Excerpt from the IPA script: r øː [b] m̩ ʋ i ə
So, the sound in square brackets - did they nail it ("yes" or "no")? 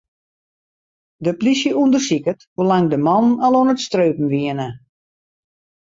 no